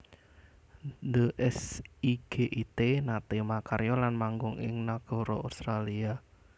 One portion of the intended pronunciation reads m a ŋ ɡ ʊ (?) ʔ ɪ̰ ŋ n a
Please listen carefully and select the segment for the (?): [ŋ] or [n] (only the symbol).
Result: ŋ